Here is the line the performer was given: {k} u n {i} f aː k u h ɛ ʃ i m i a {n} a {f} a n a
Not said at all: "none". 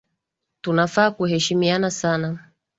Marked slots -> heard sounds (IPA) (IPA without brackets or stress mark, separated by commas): t, a, n, s